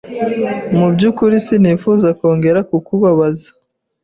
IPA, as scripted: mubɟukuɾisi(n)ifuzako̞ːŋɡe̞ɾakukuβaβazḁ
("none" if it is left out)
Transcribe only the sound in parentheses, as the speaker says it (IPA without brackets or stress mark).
n